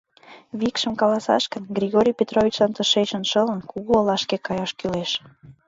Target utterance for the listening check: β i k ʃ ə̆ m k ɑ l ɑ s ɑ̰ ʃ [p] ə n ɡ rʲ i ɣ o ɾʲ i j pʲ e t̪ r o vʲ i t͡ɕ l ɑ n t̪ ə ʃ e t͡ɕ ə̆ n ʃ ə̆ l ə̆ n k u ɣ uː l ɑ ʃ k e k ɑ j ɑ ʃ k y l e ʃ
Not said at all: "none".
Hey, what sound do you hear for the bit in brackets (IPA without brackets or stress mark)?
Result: k